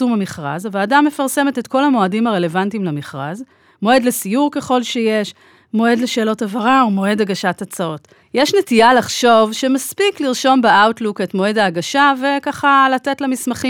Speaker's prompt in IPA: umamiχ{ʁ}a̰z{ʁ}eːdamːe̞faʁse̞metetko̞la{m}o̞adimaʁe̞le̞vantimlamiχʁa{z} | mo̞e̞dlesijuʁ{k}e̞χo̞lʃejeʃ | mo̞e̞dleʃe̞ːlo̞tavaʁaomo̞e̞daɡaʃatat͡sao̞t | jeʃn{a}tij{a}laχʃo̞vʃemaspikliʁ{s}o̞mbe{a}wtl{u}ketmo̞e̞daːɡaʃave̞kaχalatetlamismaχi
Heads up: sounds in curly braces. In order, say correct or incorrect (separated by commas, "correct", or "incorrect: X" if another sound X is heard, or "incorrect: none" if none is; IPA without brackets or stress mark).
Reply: correct, incorrect: v, correct, correct, correct, incorrect: e, correct, incorrect: ʃ, correct, correct